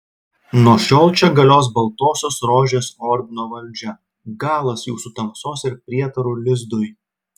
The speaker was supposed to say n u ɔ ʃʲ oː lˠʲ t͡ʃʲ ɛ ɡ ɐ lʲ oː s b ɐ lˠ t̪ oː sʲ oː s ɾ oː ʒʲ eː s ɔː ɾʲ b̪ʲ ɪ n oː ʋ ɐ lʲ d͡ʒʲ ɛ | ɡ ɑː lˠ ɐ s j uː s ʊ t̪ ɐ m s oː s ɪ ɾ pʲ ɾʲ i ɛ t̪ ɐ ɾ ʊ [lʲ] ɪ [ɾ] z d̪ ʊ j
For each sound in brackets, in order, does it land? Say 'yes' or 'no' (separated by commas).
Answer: yes, no